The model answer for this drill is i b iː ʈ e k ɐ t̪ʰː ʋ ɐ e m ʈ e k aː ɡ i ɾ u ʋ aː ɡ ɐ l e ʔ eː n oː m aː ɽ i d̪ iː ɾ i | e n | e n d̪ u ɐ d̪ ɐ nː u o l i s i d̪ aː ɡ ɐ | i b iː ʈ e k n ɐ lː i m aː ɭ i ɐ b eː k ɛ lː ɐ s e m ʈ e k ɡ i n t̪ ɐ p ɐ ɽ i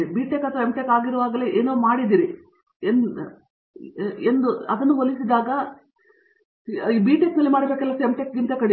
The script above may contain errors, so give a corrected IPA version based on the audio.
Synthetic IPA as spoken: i b iː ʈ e k ɐ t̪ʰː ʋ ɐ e m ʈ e k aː ɡ i ɾ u ʋ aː ɡ ɐ l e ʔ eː n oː m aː ɽ i d̪ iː ɾ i | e n | e n d̪ u ɐ d̪ ɐ nː u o l i s i d̪ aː ɡ ɐ | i b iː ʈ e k n ɐ lː i m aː ɽ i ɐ b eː k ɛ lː ɐ s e m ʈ e k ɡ i n t̪ ɐ k ɐ ɽ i